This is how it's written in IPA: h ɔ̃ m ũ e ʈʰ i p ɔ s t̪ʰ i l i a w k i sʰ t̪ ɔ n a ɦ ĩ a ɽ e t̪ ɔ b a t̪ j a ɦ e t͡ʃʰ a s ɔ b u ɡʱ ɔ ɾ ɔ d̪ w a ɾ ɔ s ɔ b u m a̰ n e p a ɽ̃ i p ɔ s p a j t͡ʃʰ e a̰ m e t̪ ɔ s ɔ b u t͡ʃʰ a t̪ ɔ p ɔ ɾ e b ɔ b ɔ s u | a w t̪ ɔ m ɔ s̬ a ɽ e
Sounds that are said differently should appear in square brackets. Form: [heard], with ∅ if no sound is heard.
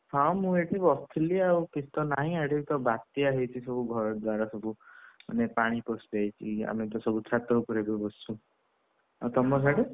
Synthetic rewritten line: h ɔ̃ m ũ e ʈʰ i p ɔ s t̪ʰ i l i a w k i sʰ t̪ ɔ n a ɦ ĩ a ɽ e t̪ ɔ b a t̪ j a ɦ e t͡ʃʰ [i] s ɔ b u ɡʱ ɔ ɾ ɔ d̪ w a ɾ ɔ s ɔ b u m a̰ n e p a ɽ̃ i p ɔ s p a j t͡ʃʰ [i] a̰ m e t̪ ɔ s ɔ b u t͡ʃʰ a t̪ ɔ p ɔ ɾ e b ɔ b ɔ s u | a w t̪ ɔ m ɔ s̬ a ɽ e

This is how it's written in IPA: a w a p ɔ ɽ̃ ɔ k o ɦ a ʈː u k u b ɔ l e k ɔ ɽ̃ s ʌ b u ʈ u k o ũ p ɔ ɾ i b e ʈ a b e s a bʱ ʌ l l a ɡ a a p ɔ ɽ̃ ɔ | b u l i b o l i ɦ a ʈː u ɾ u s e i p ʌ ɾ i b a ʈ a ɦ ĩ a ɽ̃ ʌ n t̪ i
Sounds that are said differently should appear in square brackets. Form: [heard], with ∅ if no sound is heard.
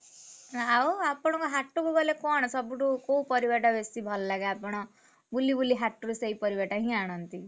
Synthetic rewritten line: a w a p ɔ ɽ̃ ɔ k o ɦ a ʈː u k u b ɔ l e k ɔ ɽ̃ s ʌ b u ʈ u k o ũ p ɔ ɾ i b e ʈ a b e s [i] bʱ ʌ l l a ɡ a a p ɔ ɽ̃ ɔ | b u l i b [u] l i ɦ a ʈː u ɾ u s e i p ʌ ɾ i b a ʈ a ɦ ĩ a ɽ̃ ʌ n t̪ i

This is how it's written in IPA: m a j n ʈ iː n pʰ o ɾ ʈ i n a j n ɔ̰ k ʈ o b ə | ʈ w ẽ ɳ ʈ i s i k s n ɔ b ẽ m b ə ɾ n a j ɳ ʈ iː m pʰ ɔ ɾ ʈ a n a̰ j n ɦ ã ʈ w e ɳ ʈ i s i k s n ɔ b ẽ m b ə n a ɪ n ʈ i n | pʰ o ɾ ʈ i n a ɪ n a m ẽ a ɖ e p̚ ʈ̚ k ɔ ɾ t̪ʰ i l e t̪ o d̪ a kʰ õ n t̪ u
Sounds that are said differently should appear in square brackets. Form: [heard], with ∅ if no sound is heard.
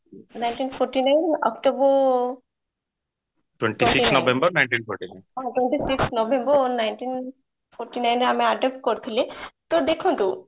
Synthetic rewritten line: [n] a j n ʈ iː n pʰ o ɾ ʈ i n a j n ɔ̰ k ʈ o b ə | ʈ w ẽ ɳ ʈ i s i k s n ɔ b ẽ m b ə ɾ n a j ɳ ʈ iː [n] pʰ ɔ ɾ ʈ [i] n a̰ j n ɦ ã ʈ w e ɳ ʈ i s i k s n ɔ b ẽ m b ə n a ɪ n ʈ i n | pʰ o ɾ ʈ i n a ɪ n a m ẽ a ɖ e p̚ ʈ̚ k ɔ ɾ t̪ʰ i l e t̪ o d̪ [e] kʰ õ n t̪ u

